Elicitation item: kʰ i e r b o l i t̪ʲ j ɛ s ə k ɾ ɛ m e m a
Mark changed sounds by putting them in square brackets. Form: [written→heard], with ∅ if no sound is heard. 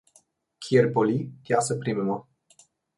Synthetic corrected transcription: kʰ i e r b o l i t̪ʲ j [ɛ→a] s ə [k→p] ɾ [ɛ→i] m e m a